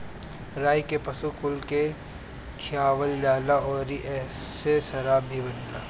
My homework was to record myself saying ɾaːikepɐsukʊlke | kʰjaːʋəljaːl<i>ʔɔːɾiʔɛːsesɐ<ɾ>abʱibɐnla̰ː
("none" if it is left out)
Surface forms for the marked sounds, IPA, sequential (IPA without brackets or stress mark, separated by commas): a, ɾ